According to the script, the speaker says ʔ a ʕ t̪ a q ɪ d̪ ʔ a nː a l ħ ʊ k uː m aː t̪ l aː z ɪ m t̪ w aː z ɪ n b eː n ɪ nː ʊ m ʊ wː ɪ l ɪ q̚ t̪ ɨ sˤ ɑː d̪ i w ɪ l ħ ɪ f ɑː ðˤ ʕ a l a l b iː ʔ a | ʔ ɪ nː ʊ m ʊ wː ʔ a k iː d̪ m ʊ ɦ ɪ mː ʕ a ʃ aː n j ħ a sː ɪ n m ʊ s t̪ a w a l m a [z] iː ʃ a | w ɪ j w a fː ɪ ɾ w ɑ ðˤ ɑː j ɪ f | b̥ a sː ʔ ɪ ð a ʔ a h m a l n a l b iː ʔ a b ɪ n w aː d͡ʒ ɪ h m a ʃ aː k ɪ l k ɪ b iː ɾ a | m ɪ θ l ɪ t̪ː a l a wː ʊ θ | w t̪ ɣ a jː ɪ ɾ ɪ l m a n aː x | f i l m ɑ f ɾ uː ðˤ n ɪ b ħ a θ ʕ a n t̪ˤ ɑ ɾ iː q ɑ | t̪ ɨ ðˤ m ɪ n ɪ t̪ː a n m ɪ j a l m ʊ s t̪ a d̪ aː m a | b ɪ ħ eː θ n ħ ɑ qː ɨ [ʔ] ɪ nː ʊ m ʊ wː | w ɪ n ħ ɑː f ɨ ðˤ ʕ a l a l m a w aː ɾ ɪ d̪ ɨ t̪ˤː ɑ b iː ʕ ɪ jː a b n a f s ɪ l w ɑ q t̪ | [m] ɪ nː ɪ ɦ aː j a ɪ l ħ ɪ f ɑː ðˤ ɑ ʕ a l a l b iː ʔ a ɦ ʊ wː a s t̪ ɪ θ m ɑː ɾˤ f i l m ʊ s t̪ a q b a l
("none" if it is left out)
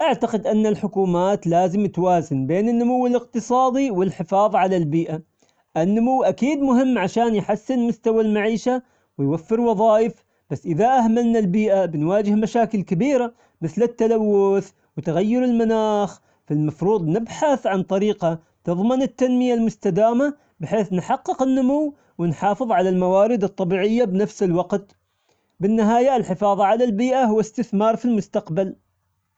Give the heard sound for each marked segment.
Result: ʕ, q, b

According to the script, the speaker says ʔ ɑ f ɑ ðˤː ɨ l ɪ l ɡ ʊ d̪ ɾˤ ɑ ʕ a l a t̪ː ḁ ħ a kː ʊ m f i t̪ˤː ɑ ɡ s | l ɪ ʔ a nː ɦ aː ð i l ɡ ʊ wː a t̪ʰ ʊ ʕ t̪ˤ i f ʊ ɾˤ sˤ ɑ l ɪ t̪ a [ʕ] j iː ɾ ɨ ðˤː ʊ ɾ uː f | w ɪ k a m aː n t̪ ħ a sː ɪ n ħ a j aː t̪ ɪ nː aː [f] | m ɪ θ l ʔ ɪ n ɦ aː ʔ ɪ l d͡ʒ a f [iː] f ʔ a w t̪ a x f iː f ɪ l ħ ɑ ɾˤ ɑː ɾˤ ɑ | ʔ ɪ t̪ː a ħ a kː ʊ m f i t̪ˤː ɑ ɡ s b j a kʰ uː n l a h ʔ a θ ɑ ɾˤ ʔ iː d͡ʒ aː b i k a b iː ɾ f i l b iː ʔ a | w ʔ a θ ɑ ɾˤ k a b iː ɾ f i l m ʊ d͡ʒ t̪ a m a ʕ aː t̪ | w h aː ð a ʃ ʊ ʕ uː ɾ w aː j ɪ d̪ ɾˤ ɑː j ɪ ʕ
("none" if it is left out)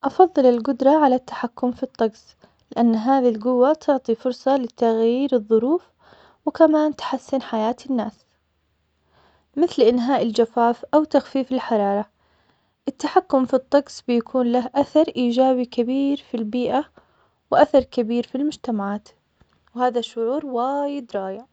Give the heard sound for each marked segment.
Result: ɣ, s, aː

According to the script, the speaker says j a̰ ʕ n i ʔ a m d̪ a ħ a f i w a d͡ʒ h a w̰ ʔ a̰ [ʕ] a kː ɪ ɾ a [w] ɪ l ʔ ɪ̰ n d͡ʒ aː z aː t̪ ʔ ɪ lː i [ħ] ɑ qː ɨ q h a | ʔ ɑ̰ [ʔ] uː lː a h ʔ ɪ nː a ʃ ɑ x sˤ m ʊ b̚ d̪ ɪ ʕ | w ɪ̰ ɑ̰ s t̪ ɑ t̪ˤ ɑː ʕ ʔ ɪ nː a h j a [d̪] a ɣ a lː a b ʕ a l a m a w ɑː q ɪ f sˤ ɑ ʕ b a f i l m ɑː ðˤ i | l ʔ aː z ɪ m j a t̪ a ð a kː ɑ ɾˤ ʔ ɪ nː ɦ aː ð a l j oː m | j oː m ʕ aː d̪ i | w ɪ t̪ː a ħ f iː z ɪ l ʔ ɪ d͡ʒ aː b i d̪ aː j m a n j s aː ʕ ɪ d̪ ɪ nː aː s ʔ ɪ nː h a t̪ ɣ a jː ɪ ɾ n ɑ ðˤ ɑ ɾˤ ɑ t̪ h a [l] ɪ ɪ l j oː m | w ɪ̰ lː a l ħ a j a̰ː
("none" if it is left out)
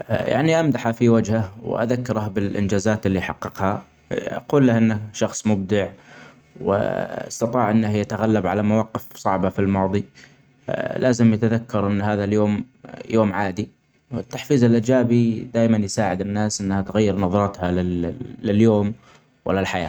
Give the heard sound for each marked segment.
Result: ð, b, ħ, q, t̪, l

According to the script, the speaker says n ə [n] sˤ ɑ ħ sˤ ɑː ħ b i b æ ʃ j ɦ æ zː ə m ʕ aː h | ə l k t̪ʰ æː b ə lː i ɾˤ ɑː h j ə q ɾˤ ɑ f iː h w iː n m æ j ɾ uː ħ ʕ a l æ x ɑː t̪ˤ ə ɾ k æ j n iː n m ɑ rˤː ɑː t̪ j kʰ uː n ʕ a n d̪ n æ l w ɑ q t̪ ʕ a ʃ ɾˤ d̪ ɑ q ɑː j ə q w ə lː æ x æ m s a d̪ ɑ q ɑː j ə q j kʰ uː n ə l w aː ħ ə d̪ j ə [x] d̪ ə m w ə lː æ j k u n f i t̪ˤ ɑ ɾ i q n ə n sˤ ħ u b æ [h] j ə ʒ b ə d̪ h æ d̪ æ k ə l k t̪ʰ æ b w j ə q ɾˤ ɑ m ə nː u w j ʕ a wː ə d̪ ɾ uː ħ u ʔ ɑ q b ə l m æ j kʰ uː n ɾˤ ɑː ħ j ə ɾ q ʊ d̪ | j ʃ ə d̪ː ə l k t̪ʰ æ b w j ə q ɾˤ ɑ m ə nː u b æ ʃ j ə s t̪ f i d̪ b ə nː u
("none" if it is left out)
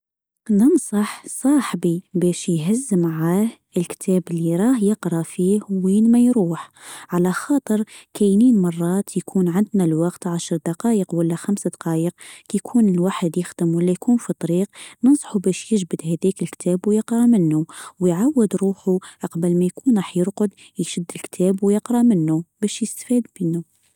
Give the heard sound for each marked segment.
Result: n, x, ʃ

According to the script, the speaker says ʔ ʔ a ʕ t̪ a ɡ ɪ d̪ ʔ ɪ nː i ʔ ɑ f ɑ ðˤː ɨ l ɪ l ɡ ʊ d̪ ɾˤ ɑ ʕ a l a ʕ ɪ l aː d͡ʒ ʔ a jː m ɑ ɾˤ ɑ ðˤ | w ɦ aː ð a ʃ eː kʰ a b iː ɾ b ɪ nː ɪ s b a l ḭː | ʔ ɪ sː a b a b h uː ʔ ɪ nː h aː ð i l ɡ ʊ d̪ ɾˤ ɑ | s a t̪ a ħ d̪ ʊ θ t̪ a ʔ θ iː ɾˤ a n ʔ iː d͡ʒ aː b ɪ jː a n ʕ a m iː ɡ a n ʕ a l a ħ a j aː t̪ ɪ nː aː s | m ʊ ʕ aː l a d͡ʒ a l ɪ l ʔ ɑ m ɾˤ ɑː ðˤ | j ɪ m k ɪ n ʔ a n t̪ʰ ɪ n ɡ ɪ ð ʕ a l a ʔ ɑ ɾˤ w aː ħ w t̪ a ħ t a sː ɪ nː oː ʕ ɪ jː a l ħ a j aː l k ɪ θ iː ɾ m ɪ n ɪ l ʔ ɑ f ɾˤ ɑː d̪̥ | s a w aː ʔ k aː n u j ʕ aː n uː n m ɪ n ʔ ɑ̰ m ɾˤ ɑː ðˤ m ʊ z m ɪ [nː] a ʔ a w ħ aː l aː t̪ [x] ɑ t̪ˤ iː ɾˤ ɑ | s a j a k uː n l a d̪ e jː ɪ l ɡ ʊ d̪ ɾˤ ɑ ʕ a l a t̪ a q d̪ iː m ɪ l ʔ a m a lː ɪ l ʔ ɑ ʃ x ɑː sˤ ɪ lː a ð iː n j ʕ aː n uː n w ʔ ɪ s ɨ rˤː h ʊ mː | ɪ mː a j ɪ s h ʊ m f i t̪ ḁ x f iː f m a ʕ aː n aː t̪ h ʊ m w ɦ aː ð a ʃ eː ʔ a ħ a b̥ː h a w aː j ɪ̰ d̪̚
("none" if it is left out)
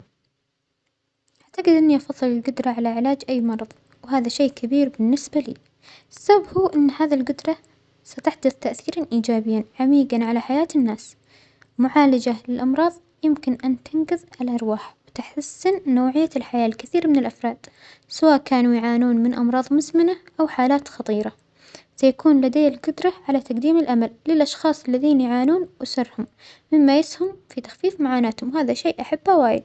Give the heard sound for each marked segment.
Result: n, x

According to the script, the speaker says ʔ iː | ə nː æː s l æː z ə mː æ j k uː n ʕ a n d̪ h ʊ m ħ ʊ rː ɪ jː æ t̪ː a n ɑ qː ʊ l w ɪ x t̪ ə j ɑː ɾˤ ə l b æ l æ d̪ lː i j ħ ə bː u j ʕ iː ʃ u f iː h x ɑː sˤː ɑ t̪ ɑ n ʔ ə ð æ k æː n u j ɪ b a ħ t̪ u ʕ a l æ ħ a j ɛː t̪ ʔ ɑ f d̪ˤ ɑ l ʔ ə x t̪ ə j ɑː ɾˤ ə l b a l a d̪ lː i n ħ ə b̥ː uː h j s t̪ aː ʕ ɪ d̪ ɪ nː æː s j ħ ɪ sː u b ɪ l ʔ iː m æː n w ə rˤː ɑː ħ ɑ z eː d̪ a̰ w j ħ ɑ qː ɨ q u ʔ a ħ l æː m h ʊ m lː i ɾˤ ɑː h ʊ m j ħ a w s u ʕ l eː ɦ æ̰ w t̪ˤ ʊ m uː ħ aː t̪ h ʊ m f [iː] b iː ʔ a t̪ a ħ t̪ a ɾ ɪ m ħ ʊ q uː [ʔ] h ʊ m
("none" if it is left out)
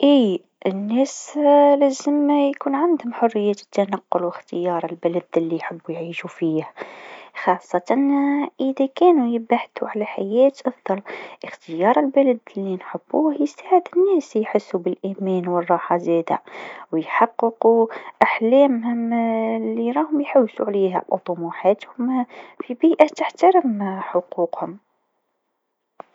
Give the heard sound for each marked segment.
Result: i, q

